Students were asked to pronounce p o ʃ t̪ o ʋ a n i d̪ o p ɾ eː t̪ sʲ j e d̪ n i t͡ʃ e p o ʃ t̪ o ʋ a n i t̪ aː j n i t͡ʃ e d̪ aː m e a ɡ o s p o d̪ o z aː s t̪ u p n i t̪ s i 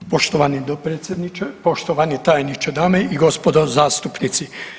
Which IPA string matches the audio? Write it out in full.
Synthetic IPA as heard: p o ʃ t̪ o ʋ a n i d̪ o p ɾ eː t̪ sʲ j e d̪ n i t͡ʃ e p o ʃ t̪ o ʋ a n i t̪ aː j n i t͡ʃ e d̪ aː m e i ɡ o s p o d̪ o z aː s t̪ u p n i t̪ s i